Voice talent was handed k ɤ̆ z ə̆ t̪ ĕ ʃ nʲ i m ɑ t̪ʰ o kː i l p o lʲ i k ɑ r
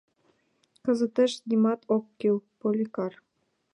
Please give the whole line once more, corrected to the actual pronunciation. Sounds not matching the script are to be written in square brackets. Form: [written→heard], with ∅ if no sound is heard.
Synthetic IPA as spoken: k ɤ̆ z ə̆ t̪ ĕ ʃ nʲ i m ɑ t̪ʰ o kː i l p o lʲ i k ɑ r